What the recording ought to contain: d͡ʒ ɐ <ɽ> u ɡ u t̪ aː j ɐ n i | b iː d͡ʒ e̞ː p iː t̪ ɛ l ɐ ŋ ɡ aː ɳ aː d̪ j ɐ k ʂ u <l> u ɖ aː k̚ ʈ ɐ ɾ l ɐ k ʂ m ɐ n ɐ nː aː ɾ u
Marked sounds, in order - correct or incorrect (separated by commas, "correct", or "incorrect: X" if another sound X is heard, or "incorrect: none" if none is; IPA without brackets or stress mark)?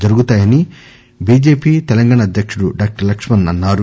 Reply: incorrect: ɾ, incorrect: ɽ